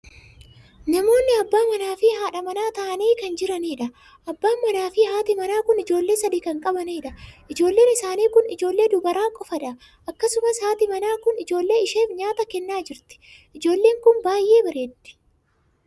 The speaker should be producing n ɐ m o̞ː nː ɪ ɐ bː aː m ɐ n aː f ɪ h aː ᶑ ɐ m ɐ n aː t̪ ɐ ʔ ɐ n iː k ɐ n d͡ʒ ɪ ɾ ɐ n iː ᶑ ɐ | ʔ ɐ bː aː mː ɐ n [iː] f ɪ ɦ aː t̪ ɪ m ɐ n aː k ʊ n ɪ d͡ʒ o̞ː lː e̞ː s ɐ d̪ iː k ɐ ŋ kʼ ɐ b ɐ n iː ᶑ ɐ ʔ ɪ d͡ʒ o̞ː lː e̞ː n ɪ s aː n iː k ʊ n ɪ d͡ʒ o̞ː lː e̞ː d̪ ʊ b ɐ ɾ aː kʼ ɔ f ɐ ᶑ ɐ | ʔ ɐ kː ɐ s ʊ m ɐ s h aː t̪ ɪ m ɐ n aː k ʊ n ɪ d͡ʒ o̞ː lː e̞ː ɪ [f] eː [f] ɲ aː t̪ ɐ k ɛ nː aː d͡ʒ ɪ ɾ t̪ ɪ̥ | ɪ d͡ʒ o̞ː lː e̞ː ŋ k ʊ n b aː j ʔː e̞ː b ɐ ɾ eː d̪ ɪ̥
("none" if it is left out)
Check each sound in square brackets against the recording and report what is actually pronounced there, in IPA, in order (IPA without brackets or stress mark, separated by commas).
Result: aː, ʃ, f